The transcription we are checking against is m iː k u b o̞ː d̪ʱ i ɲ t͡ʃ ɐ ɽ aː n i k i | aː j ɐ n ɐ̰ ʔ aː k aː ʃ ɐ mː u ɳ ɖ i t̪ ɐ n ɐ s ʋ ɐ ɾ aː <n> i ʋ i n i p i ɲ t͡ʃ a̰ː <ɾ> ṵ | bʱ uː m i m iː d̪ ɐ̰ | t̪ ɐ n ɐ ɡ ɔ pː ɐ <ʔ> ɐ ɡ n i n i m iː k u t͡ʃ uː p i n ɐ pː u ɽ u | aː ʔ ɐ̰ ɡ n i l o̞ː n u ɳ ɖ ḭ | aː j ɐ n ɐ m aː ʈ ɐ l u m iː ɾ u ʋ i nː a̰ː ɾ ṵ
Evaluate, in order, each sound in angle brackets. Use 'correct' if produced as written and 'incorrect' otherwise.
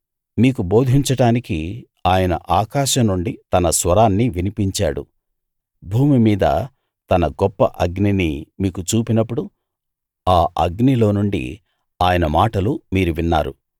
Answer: incorrect: nː, incorrect: ɽ, correct

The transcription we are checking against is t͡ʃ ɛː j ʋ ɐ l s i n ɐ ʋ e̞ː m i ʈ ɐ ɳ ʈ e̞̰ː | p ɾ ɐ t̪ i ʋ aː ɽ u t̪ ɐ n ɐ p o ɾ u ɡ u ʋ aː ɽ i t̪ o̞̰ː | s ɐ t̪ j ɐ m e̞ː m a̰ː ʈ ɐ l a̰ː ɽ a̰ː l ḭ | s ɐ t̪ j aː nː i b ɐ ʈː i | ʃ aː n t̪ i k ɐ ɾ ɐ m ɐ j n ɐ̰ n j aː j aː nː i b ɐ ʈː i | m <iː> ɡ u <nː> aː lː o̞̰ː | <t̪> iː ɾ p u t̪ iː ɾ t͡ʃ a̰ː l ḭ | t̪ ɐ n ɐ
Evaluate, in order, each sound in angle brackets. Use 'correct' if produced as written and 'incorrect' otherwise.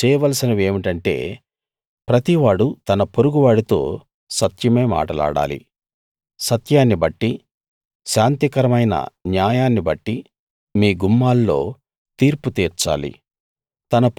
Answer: correct, incorrect: mː, correct

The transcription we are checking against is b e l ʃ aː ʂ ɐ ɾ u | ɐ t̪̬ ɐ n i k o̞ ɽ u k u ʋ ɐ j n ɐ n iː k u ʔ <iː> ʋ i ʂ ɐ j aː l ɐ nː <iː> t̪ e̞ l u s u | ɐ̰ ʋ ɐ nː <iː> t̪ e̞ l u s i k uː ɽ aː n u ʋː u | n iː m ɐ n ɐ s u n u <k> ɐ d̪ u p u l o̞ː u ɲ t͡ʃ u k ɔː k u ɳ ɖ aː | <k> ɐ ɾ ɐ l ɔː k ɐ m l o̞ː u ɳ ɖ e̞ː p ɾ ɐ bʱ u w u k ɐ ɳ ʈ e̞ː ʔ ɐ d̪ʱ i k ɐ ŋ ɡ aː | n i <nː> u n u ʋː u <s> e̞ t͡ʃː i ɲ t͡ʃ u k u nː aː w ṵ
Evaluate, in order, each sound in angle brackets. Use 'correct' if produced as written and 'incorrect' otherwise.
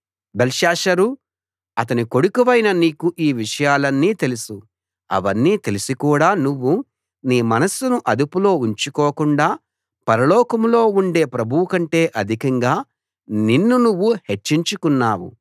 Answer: correct, correct, correct, incorrect: ʔ, incorrect: p, correct, incorrect: h

